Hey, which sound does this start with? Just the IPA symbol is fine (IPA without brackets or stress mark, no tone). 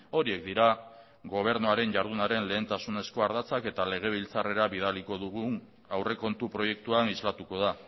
o̞